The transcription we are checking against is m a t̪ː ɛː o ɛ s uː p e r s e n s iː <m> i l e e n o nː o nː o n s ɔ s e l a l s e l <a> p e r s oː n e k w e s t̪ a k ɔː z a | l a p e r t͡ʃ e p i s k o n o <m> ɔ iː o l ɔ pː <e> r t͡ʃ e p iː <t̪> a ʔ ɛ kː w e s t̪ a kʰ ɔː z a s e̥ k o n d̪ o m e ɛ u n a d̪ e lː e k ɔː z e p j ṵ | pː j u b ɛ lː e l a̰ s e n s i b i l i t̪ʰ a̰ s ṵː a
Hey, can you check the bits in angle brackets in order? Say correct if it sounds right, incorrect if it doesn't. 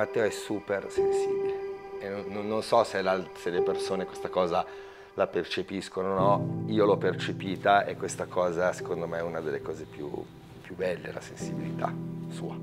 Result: incorrect: b, incorrect: e, incorrect: n, correct, correct

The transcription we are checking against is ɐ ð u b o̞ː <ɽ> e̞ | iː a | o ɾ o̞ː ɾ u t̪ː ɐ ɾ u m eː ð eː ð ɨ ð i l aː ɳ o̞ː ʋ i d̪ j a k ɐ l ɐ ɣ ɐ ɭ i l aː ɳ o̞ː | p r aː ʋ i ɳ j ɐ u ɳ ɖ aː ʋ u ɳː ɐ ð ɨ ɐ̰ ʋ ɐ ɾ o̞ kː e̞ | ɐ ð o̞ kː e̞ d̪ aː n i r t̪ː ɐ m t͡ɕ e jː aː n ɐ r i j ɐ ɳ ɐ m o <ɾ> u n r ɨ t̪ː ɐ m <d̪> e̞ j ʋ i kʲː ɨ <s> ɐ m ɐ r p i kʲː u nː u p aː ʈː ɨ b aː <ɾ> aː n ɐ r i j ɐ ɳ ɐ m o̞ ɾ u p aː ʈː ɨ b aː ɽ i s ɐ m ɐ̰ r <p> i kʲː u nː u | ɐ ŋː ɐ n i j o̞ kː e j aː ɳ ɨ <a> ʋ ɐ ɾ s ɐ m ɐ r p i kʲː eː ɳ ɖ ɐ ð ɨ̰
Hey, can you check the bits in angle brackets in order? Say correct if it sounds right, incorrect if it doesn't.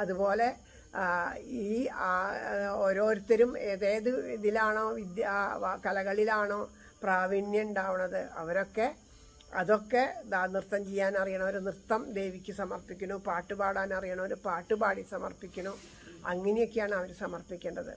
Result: incorrect: l, correct, correct, correct, incorrect: ɽ, correct, incorrect: ɐ

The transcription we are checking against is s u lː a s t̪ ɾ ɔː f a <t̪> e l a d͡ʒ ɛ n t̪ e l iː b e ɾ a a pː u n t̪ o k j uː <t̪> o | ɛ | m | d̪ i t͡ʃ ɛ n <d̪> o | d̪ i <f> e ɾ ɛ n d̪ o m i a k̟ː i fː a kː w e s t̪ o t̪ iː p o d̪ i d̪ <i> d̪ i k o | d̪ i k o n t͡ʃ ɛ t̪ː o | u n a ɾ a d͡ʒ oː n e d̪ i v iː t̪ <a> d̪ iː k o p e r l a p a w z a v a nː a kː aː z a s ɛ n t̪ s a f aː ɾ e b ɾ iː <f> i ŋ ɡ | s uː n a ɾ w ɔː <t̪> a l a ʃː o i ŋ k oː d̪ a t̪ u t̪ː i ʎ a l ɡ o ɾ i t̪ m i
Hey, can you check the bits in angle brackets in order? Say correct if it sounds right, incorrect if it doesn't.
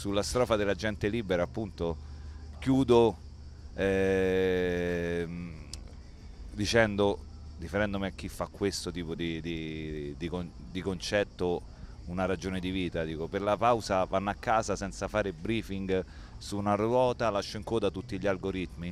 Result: incorrect: d̪, incorrect: d̪, correct, correct, correct, correct, correct, correct

